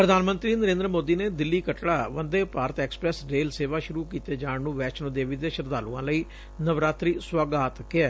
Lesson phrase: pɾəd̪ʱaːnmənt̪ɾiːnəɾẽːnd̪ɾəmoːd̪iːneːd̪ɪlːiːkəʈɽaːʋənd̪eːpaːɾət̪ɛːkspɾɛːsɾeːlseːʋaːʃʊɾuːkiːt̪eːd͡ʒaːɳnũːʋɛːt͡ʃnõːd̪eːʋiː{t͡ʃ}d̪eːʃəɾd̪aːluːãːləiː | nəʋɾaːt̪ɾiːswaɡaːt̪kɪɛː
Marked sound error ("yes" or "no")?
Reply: yes